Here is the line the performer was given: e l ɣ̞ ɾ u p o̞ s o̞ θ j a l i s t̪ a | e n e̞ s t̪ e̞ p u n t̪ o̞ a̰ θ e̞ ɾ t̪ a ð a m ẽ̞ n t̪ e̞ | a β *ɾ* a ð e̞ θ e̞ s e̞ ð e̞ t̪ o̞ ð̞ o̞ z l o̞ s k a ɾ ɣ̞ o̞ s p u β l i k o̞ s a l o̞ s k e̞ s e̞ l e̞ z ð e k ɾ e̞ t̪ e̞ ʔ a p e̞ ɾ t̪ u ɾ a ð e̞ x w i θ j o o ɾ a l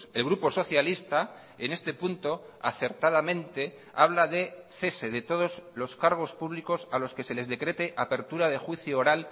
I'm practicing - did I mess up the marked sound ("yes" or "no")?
yes